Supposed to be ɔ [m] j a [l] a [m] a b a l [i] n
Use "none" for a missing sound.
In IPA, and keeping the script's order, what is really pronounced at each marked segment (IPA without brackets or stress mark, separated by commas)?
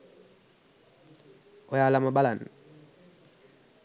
none, l, m, a